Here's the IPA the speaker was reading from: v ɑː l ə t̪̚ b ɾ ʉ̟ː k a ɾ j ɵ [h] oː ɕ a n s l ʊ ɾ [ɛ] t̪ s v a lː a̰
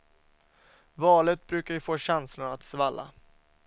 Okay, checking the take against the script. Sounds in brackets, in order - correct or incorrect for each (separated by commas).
incorrect, incorrect